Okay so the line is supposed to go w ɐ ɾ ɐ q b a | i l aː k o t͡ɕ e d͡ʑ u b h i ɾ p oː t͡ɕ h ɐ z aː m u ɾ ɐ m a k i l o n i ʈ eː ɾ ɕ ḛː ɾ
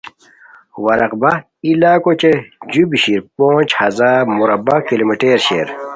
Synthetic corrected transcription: w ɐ ɾ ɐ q b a | i l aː k o t͡ɕ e d͡ʑ u b ɕ i ɾ p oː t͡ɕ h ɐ z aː m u ɾ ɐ b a k i l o m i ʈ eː ɾ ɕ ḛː ɾ